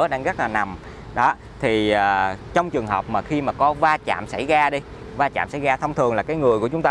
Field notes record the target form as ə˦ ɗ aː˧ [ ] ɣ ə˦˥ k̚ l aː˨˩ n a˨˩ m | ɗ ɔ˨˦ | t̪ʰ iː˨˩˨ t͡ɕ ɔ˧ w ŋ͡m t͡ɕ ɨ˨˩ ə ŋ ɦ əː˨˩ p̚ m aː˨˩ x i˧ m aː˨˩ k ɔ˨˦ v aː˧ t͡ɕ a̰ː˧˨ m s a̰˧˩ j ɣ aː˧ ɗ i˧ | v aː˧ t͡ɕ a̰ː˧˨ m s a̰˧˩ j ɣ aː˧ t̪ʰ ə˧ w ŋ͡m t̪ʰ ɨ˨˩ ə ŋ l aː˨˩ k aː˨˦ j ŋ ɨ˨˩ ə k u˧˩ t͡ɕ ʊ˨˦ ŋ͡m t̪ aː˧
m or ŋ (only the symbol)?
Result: ŋ